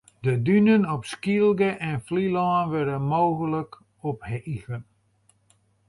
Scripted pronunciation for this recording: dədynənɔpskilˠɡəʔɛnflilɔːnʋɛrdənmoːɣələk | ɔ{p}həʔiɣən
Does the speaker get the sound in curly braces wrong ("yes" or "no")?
no